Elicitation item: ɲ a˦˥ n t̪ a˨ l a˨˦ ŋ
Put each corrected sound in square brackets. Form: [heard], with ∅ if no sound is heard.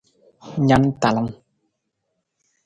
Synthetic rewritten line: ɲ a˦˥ n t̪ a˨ l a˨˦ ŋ